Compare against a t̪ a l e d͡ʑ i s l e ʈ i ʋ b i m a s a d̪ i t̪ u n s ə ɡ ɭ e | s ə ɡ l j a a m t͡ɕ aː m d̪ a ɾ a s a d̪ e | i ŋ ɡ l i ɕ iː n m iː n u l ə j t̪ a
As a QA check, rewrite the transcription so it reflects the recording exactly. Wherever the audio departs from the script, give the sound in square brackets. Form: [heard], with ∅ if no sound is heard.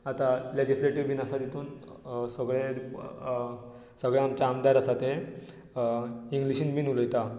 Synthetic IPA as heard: a t̪ a l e d͡ʑ i s l e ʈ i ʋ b i [n] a s a d̪ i t̪ [uː] n s ə ɡ ɭ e | s ə ɡ [ɭ] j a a m t͡ɕ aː m d̪ a ɾ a s a [t̪] e | i ŋ ɡ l i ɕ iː n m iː n u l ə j t̪ a